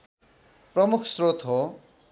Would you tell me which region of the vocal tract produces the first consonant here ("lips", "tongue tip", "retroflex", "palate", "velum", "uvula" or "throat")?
lips